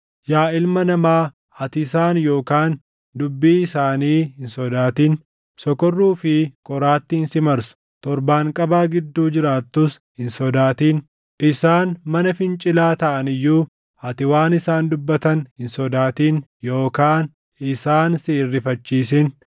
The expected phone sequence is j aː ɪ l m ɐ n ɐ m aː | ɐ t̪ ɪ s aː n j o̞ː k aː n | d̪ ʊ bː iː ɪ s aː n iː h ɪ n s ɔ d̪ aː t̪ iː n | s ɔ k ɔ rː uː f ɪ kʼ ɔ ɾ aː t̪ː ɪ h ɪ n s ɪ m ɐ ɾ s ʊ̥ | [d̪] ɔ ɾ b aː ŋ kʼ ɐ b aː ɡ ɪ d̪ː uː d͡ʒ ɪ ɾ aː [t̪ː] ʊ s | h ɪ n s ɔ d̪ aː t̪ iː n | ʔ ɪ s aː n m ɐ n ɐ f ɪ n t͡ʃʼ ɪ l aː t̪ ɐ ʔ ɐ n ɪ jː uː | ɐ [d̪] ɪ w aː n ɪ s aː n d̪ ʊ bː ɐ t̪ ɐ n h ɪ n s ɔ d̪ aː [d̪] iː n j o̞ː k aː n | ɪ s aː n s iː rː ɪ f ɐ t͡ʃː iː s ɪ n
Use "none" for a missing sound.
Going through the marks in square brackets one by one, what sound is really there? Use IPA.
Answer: t̪, t̪ː, t̪, t̪

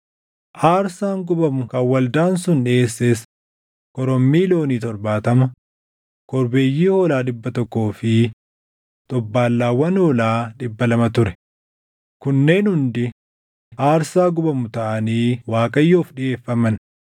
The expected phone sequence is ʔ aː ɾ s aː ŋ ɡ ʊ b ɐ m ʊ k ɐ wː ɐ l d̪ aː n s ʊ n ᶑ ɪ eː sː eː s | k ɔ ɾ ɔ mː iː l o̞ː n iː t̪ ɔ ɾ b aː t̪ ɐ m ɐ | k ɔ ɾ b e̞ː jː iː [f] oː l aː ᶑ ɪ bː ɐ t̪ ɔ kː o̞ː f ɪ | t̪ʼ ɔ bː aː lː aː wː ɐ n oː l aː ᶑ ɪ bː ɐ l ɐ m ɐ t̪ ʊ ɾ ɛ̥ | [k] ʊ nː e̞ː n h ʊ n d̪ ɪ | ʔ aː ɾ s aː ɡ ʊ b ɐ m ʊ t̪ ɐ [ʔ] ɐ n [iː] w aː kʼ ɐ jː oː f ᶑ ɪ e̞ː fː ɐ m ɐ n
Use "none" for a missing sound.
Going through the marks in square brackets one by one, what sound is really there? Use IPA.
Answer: h, k, ʔ, iː

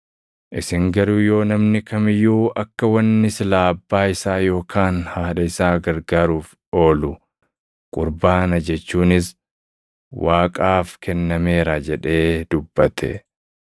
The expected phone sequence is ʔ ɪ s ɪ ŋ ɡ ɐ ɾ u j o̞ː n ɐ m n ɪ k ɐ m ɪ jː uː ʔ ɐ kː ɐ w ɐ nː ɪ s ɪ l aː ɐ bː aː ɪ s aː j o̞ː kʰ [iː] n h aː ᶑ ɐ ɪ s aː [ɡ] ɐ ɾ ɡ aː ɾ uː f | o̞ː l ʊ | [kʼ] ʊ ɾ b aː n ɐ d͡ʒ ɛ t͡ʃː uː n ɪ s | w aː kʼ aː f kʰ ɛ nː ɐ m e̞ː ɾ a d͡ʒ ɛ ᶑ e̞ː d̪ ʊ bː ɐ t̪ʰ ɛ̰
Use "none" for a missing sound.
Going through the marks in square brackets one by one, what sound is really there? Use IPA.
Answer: aː, ɡ, kʼ

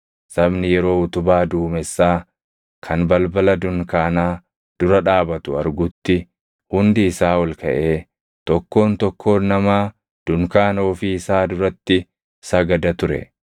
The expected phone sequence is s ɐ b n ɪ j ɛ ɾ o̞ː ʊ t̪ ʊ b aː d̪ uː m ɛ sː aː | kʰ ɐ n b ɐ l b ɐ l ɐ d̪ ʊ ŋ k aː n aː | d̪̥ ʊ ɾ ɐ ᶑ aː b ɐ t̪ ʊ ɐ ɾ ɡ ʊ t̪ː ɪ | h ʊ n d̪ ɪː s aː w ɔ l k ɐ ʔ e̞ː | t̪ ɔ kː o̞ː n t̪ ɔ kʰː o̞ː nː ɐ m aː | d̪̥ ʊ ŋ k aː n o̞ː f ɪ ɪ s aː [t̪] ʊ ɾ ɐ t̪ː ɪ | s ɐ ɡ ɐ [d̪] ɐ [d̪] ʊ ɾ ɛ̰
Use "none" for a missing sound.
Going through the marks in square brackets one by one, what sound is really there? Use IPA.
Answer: d̪, d̪, t̪

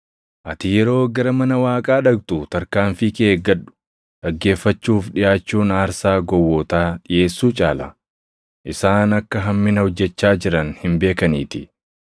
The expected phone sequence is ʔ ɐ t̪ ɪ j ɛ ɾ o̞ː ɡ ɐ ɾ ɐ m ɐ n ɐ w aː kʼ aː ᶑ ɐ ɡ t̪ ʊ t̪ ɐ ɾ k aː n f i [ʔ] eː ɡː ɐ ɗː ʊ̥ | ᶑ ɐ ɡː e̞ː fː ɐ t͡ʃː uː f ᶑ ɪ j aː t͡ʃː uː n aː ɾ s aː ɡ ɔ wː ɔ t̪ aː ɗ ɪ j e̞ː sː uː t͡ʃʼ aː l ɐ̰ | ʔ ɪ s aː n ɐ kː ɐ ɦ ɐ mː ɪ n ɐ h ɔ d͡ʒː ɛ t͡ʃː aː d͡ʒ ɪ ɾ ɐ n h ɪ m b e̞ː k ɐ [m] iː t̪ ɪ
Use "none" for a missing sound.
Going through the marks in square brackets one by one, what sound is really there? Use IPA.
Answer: k, n

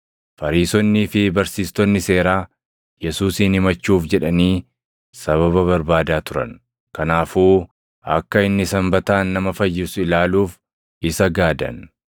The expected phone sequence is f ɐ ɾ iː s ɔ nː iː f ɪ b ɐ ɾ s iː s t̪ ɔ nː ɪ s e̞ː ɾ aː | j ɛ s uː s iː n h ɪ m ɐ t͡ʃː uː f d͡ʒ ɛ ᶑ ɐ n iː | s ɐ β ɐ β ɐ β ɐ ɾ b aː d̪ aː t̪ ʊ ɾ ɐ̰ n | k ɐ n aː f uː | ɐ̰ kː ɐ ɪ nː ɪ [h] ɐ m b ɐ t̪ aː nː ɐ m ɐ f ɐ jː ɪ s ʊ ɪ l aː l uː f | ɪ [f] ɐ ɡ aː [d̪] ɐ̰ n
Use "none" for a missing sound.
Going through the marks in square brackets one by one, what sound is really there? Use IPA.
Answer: s, s, d̪

